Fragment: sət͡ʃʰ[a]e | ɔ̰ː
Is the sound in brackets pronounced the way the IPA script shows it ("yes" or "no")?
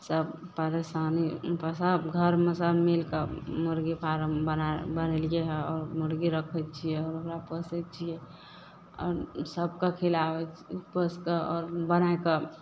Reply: no